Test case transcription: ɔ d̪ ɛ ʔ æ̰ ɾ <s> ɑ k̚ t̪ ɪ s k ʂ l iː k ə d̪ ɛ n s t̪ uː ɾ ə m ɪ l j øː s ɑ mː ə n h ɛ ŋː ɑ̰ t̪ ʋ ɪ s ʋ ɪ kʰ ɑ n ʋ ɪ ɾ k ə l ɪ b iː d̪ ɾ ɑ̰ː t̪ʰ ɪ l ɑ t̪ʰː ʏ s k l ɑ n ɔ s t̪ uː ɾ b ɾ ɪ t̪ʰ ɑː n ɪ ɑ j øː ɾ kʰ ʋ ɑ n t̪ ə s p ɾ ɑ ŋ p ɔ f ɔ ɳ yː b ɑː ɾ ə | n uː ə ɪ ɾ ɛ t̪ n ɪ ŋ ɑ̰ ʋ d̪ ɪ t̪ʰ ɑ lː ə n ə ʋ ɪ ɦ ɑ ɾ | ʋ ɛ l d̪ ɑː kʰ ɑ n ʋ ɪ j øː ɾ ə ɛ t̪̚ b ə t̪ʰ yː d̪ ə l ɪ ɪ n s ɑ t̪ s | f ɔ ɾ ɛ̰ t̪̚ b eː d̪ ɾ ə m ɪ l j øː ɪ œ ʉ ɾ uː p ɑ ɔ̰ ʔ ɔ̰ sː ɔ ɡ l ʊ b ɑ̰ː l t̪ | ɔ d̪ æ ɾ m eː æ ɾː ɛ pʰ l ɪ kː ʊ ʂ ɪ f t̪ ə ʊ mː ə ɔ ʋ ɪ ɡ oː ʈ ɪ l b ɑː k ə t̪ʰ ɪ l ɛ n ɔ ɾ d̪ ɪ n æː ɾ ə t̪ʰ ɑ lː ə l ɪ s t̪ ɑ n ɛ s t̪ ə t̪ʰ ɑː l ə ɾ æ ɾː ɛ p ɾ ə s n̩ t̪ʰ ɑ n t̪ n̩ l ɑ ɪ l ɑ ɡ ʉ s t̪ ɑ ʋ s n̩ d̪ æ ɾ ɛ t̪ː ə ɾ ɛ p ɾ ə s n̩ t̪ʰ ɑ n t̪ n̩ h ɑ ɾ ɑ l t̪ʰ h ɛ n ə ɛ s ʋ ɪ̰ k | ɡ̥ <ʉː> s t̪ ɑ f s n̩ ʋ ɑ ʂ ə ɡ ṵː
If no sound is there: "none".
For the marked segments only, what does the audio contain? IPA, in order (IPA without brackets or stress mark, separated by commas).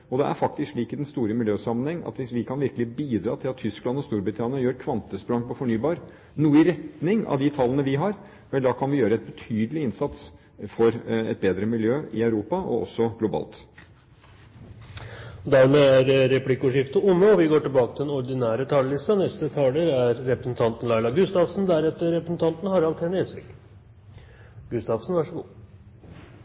f, ʉ